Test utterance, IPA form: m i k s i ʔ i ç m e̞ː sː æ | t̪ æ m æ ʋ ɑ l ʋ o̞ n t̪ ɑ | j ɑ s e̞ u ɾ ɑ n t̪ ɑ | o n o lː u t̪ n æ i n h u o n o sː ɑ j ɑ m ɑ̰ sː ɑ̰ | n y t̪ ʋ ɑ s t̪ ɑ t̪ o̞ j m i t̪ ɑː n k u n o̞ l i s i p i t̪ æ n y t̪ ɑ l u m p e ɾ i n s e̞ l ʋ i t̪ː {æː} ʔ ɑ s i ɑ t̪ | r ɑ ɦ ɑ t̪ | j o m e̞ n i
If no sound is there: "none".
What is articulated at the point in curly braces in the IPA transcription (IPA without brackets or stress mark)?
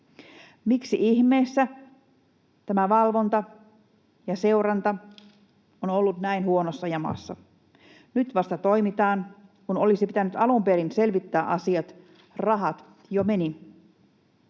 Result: æː